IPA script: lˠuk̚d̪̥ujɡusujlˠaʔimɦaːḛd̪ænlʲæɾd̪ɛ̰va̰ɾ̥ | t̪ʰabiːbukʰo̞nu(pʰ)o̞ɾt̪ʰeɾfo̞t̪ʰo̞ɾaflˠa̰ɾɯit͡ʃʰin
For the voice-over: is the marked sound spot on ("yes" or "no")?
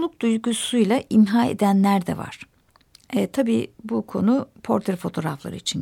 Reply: yes